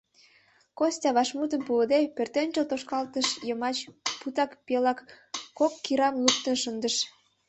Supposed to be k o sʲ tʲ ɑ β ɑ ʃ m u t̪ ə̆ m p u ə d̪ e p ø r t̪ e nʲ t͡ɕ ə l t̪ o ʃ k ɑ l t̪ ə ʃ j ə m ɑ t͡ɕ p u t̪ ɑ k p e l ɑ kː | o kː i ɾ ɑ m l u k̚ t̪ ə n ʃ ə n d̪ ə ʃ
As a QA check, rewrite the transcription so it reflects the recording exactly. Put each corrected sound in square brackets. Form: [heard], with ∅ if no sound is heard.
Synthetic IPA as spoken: k o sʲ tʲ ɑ β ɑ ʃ m u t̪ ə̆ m p u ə d̪ e p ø r t̪ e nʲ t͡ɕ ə l t̪ o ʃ k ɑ l t̪ ə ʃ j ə m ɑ t͡ɕ p u t̪ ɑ k p e l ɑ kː | o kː i ɾ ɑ m l u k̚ t̪ ə n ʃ ə n d̪ ə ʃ